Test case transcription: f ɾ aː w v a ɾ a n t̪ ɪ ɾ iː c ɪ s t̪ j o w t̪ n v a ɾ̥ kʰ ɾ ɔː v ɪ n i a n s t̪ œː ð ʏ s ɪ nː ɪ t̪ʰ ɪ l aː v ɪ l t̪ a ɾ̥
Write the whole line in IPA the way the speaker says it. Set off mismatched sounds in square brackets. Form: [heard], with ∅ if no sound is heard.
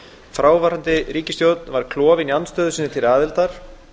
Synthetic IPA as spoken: f ɾ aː w v a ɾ a n t̪ ɪ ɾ iː c ɪ s t̪ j o w t̪ n v a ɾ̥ kʰ [l] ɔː v ɪ n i a n s t̪ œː ð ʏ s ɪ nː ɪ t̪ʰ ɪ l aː [ð] ɪ l t̪ a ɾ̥